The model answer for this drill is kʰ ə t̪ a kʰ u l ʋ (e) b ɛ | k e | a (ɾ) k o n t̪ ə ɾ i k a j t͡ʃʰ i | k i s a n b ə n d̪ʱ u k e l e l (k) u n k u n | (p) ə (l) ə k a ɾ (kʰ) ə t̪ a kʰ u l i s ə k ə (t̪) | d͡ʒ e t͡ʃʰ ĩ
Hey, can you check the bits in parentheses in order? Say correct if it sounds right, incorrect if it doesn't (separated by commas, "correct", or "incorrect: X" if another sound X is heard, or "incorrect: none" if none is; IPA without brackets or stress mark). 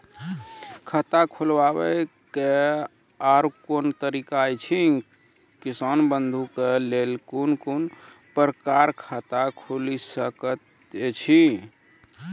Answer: incorrect: a, correct, correct, correct, incorrect: ɾ, correct, correct